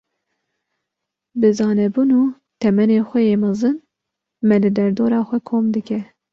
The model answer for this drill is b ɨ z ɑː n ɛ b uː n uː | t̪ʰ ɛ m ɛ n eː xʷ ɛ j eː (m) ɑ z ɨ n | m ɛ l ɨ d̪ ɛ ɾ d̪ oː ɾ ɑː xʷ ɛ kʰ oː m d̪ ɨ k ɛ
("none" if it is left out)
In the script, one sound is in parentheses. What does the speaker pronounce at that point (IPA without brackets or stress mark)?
m